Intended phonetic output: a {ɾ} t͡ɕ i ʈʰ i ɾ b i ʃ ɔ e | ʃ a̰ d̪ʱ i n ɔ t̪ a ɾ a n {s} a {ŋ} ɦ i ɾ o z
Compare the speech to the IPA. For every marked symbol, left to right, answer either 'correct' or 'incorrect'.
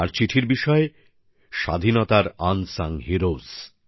correct, correct, correct

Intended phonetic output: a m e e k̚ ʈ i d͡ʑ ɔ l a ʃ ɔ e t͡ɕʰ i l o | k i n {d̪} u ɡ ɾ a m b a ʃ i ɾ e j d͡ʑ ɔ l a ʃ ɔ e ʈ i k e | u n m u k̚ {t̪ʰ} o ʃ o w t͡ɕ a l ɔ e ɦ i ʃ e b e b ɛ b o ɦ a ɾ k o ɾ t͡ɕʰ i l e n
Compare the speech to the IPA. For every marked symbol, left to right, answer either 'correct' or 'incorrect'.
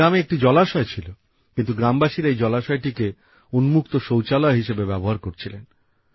incorrect: t̪, incorrect: t̪

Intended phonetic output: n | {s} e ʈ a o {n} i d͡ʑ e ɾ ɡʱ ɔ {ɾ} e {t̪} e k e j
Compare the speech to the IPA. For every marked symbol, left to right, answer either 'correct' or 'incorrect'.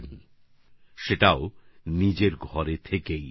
incorrect: ʃ, correct, correct, incorrect: t̪ʰ

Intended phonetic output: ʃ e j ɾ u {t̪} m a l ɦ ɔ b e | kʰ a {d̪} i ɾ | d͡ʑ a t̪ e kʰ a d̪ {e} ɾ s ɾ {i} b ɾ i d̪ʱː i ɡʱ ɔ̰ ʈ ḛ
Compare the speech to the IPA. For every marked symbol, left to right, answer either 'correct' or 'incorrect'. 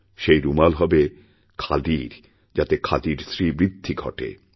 incorrect: none, correct, incorrect: i, correct

